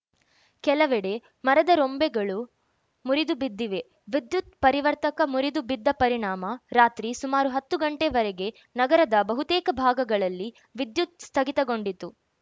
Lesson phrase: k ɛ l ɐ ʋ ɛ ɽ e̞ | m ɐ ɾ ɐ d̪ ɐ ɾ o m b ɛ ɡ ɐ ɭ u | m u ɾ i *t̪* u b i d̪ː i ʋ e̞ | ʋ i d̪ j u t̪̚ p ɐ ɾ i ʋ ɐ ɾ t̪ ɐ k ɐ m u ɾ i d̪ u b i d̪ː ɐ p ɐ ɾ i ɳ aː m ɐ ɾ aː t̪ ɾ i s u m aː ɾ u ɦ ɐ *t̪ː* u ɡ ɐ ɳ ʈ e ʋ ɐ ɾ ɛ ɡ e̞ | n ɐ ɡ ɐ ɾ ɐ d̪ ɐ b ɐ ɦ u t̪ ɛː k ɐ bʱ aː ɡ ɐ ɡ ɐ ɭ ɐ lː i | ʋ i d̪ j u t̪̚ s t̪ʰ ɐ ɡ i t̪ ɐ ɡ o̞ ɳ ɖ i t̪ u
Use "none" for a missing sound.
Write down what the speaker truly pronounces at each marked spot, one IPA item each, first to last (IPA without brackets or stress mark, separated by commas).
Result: d̪, t̪ː